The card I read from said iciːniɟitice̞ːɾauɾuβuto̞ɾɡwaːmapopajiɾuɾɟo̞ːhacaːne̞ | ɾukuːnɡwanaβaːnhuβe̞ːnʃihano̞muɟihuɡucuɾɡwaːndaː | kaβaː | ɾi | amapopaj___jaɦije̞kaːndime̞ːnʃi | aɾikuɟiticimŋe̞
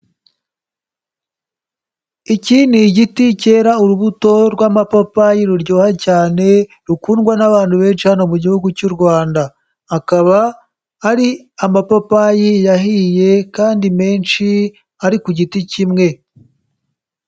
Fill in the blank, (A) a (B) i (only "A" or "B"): B